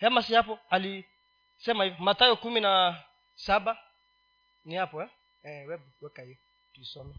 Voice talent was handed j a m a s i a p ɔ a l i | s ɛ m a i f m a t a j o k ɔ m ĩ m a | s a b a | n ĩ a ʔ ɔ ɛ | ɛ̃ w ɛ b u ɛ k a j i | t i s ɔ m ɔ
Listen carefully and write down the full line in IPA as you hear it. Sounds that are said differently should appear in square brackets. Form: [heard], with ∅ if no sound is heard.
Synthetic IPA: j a m a s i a p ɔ a l i | s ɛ m a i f m a t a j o k [u] m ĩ [n] a | s a b a | n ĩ a [p] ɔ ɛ | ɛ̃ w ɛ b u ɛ k a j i | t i s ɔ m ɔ